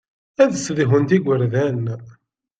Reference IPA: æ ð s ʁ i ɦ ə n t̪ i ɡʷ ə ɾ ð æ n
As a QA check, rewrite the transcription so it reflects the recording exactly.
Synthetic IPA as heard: æ ð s ð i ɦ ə n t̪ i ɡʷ ə ɾ ð æ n